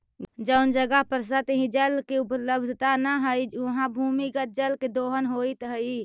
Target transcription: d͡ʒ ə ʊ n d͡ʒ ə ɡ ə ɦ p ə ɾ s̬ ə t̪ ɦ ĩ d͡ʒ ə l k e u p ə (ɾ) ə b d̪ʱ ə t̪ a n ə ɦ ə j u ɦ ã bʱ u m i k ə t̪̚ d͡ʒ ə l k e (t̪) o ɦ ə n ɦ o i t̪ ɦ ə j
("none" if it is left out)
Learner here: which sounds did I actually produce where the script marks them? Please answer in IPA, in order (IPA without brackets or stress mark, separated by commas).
l, d̪